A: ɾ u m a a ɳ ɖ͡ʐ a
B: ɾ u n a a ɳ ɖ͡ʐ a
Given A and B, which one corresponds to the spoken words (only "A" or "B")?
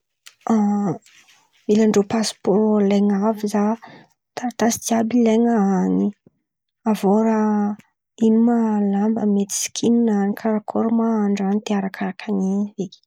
A